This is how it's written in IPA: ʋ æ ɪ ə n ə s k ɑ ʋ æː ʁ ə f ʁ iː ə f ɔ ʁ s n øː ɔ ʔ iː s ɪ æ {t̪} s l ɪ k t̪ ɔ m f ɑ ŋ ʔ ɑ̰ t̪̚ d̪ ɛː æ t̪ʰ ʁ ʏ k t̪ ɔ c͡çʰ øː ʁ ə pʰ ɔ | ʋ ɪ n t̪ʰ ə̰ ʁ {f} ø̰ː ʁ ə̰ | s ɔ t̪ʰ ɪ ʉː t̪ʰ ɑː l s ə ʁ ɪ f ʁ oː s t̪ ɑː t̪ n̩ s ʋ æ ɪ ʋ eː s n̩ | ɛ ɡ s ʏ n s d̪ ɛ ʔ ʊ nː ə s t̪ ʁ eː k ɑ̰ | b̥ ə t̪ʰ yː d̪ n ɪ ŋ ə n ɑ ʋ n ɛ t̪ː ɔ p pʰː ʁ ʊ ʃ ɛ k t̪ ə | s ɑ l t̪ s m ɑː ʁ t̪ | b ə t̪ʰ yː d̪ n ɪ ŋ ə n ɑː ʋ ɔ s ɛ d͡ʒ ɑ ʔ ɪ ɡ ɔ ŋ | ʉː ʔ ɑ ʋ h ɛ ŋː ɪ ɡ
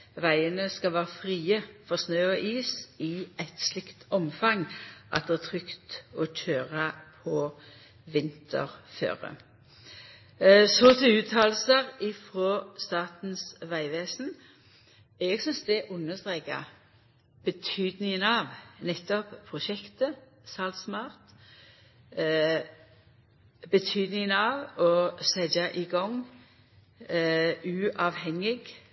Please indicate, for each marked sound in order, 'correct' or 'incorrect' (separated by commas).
correct, correct